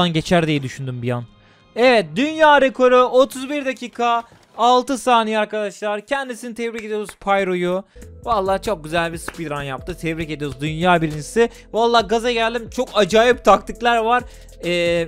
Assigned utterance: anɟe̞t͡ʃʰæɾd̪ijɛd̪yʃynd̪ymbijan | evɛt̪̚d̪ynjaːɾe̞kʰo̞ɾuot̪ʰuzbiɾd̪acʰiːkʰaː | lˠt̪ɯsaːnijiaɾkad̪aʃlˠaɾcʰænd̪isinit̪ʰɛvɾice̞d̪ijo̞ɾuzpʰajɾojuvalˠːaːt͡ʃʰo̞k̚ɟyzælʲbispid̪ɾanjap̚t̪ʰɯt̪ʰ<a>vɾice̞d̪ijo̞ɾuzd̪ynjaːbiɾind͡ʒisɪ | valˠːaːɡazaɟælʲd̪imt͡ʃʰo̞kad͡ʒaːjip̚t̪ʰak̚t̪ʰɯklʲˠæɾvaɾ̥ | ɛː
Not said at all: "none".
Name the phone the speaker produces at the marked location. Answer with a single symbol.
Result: ɛ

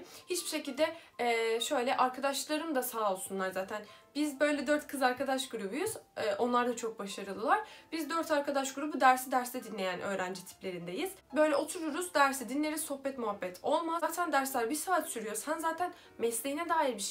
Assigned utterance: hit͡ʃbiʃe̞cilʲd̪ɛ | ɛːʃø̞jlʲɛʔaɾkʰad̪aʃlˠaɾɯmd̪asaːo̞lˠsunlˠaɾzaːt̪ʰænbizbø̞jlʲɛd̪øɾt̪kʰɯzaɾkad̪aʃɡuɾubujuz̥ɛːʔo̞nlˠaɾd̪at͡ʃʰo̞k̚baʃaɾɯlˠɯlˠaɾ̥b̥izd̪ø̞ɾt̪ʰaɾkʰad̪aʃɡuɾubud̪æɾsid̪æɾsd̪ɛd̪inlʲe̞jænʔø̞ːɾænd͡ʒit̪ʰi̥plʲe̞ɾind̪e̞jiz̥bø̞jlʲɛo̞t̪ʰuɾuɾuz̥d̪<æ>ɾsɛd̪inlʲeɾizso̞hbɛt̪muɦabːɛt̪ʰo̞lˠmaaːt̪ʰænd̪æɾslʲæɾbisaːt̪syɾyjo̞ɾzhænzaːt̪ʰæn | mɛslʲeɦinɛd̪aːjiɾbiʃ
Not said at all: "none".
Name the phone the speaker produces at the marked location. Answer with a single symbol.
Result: æ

